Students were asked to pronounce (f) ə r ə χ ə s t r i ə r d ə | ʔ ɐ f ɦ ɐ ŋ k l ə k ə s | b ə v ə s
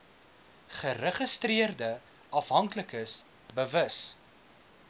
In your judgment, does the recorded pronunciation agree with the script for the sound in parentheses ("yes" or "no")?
no